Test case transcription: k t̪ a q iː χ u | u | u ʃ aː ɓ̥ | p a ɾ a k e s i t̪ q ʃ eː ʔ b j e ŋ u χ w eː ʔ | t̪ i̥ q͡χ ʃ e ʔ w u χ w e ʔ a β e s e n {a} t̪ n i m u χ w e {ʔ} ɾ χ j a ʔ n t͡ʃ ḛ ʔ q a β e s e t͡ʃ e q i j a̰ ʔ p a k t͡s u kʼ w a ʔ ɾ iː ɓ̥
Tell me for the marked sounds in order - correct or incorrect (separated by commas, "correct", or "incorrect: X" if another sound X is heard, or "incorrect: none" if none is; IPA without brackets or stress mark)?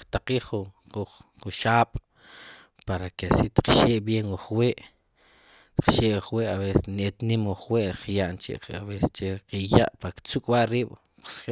incorrect: e, correct